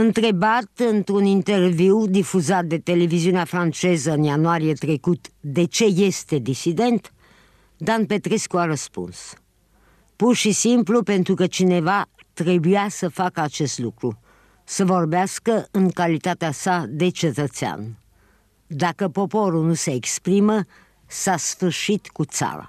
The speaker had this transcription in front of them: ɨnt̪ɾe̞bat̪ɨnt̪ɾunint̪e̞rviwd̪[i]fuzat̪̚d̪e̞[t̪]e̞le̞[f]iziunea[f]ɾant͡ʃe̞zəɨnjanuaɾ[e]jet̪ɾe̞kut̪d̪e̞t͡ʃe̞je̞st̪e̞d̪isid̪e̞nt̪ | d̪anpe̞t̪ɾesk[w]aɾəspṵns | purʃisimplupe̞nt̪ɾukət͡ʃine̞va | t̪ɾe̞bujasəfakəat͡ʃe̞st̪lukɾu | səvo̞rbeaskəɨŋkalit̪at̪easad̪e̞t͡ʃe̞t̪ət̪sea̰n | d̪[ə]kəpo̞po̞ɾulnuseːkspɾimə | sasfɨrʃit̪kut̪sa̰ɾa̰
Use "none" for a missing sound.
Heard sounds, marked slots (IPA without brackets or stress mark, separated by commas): i, t̪, v, f, i, u, a